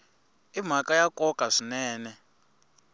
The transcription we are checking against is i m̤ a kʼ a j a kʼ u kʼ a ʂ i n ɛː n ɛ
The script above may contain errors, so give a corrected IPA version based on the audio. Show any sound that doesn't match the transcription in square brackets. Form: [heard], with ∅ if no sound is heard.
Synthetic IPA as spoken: i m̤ a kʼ a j a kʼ [ɔ] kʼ a ʂ i n ɛː n ɛ